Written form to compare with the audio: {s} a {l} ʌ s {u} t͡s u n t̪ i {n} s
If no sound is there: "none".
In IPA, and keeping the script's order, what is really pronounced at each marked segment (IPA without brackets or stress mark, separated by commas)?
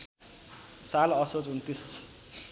s, l, o, none